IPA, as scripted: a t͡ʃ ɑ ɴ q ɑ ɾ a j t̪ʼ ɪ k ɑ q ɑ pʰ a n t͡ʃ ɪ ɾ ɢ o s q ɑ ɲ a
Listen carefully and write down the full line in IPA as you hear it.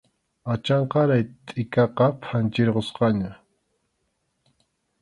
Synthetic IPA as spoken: a t͡ʃ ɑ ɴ q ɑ ɾ a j t̪ʼ ɪ k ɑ q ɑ pʰ a n t͡ʃ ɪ ɾ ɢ o s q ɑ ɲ a